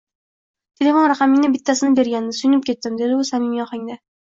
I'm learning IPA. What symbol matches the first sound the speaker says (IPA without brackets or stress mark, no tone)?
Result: t̪ʰ